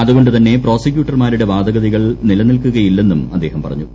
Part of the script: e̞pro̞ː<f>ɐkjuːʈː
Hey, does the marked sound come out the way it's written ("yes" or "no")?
no